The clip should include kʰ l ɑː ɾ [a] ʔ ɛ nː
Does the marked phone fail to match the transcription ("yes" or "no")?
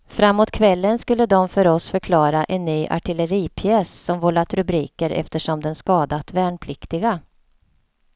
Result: no